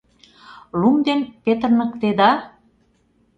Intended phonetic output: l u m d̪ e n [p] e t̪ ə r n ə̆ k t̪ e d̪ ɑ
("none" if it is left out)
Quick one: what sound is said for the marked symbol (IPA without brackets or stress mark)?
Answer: p